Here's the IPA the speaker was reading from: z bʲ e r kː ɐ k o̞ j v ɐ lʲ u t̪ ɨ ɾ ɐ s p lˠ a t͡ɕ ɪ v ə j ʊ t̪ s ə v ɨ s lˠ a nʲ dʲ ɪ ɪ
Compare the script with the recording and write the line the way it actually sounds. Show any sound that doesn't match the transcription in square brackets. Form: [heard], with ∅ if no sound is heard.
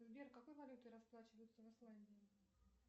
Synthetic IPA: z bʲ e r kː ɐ k o̞ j v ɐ lʲ u t̪ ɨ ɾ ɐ s p lˠ a t͡ɕ ɪ v ə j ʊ t̪ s ə v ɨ s lˠ a nʲ dʲ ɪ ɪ